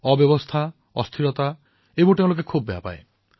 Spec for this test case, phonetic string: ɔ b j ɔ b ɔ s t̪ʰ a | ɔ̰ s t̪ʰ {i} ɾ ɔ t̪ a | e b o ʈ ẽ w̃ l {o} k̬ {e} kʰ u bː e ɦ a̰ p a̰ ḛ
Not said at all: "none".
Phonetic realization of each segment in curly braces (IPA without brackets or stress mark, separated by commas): i, o, e